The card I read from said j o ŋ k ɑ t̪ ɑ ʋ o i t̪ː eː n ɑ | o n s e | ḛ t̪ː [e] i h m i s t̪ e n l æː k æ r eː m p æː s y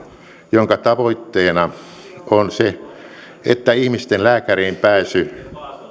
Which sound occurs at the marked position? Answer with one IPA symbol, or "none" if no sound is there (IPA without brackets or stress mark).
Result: æ